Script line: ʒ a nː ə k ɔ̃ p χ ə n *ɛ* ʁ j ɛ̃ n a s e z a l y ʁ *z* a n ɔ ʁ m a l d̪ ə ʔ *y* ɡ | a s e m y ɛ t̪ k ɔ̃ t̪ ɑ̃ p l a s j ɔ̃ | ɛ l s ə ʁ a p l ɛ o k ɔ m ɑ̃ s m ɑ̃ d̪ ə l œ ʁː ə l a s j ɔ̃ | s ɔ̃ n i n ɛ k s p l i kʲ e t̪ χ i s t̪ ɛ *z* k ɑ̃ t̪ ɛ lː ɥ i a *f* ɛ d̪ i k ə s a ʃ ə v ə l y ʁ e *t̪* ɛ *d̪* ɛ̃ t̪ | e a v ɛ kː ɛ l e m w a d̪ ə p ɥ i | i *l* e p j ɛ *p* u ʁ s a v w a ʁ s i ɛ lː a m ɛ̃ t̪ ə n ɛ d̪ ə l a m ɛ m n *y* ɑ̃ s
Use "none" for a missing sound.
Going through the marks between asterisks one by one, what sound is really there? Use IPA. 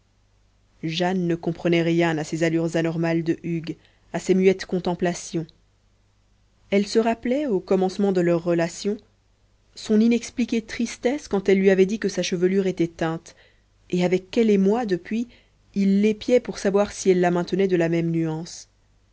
ɛ, z, y, s, v, t̪, t̪, lː, p, y

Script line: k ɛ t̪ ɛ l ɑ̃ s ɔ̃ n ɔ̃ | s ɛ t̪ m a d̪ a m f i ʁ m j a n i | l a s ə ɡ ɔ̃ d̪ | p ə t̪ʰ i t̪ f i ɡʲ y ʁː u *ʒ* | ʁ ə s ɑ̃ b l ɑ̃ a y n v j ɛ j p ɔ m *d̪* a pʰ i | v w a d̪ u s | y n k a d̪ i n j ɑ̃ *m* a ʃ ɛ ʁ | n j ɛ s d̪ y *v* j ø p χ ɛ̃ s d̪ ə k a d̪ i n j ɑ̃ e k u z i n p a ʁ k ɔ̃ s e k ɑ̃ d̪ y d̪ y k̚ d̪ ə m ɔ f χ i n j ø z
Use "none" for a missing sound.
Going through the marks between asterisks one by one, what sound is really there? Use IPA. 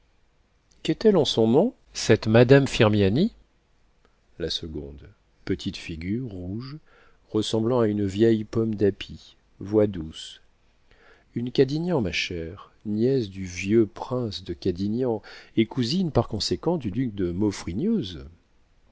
ʒ, d̪, m, v

